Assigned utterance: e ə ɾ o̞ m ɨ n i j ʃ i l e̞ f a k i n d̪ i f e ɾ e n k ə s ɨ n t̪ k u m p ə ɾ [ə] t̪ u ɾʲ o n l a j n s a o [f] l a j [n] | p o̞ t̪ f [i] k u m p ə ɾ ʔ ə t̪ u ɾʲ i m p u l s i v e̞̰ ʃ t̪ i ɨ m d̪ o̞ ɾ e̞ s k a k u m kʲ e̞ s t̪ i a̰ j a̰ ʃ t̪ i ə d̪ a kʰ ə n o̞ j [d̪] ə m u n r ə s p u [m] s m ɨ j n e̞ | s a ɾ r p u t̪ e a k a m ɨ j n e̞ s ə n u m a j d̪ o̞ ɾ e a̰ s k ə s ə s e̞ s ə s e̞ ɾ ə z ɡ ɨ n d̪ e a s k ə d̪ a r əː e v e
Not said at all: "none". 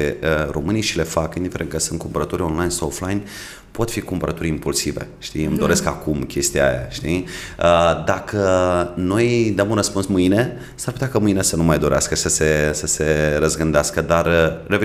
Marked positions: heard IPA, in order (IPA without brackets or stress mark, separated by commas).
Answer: ə, f, n, i, d̪, n